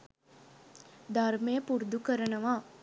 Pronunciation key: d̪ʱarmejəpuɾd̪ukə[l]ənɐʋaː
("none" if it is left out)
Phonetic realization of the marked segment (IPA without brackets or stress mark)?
ɾ